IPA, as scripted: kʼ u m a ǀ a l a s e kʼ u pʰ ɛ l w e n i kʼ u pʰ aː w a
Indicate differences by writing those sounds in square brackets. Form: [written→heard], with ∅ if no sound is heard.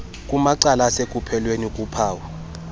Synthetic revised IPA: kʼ u m a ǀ a l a s e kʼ u pʰ ɛ l w e n i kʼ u pʰ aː w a